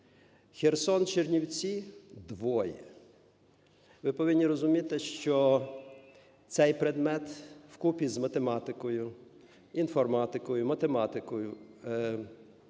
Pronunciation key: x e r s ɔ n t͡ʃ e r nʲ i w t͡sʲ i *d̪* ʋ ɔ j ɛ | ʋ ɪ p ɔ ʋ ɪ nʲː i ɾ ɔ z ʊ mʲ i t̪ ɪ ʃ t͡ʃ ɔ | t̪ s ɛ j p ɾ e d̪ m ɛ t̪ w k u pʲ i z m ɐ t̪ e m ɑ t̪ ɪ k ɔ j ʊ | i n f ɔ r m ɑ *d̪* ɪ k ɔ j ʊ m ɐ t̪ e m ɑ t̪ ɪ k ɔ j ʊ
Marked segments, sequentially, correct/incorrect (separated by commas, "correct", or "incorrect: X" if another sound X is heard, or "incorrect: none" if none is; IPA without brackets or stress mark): correct, incorrect: t̪